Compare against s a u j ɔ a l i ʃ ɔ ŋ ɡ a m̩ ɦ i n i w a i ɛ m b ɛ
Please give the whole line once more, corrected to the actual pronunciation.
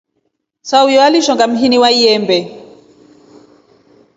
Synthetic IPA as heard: s a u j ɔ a l i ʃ ɔ ŋ ɡ a m̩ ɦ i n i w a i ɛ m b ɛ